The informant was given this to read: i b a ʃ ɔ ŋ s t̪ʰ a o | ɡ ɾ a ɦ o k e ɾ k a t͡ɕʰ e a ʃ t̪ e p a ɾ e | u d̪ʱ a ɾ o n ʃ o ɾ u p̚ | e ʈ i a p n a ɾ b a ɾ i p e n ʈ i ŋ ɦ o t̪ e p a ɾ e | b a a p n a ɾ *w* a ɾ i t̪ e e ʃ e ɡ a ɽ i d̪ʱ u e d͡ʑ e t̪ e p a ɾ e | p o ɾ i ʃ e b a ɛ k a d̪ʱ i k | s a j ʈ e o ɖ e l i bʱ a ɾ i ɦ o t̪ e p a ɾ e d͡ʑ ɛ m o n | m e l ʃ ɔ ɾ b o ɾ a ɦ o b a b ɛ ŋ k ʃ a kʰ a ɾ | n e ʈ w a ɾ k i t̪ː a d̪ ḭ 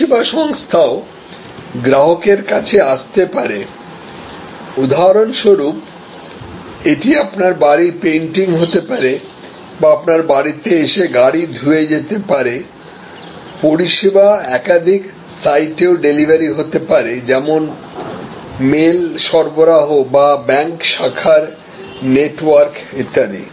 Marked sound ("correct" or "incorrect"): incorrect